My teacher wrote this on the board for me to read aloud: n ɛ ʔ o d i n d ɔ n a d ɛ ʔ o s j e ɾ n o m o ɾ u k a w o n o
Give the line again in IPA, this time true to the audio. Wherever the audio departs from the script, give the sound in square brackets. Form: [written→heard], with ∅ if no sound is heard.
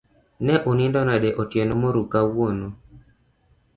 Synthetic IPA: n ɛ ʔ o [d→n] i n d ɔ n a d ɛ ʔ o [s→t] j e [ɾ→∅] n o m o ɾ u k a w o n o